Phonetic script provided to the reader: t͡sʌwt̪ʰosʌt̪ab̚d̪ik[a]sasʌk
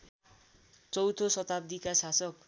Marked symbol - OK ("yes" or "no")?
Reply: yes